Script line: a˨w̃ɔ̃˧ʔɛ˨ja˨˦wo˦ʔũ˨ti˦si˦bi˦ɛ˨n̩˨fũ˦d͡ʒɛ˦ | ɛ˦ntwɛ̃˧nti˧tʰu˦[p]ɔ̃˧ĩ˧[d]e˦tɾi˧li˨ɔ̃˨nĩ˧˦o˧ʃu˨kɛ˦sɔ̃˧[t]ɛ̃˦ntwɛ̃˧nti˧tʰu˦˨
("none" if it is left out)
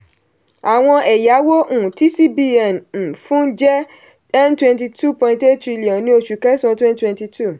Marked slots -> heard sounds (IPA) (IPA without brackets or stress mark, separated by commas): p, t, t